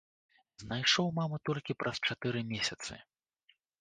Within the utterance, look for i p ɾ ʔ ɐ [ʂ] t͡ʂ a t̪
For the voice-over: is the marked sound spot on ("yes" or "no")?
no